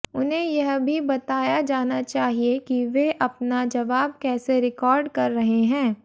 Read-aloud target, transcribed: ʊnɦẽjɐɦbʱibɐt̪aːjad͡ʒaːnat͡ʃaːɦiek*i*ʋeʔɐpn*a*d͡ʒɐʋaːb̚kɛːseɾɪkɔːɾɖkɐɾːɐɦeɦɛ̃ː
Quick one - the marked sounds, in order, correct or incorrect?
correct, correct

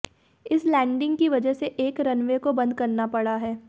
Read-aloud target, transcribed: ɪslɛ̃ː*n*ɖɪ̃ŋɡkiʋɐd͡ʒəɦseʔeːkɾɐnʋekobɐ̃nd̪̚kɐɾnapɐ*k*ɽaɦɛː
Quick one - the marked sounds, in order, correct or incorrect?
incorrect: ɳ, incorrect: none

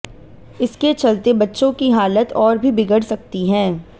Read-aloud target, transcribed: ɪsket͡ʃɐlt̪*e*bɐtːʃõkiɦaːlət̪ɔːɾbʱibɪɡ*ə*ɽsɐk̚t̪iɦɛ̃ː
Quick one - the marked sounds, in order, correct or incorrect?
correct, correct

